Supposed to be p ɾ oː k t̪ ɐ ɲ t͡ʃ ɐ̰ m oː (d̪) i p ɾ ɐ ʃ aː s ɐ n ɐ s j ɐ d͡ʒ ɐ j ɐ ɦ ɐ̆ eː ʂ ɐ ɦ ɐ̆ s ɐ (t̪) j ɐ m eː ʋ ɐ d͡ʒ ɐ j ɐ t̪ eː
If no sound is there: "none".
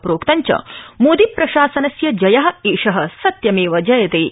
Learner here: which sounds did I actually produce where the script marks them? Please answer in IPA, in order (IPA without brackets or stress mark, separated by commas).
d̪, t̪